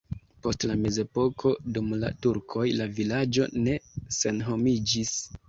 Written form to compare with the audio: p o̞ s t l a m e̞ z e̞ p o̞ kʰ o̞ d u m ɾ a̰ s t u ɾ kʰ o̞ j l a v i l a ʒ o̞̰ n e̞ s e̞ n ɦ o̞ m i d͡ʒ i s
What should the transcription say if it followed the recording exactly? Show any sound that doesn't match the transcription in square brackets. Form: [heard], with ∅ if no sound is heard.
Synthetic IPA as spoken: p o̞ s t l a m e̞ z e̞ p o̞ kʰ o̞ d u m [l] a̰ [∅] t u ɾ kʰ o̞ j l a v i l a [d͡ʒ] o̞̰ n e̞ s e̞ n ɦ o̞ m i d͡ʒ i s